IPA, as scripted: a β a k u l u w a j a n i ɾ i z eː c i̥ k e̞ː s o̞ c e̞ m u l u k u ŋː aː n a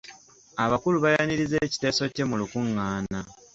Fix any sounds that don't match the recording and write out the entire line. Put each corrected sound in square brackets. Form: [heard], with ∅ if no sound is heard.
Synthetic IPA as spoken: a β a k u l u [β] a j a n i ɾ i z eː c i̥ [t] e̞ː s o̞ c e̞ m u l u k u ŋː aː n a